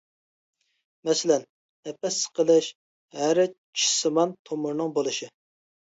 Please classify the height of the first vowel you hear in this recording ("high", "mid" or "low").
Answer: mid